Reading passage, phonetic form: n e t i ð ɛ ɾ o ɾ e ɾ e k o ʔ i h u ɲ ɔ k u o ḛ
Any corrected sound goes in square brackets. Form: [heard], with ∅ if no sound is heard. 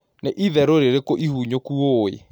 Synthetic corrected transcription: n e [ʔ] i ð ɛ ɾ o ɾ e ɾ e k o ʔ i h u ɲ [o] k u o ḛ